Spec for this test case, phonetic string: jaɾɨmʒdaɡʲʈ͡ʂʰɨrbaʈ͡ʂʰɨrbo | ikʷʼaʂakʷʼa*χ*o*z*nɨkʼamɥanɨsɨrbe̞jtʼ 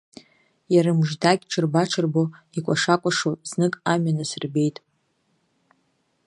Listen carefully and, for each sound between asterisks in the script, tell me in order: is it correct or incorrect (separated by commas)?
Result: incorrect, correct